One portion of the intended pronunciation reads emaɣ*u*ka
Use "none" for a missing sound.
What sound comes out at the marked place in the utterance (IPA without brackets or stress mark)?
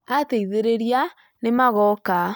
ɔ